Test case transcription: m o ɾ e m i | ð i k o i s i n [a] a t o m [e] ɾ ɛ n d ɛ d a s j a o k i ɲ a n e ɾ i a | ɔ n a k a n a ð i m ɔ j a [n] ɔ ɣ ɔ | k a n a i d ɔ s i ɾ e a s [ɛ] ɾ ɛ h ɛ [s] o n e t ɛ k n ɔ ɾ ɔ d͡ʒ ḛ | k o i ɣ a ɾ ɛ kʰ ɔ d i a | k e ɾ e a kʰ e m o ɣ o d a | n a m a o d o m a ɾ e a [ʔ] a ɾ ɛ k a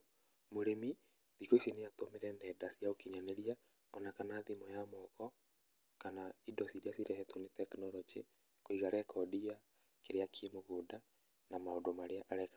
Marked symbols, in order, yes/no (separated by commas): no, yes, no, no, no, yes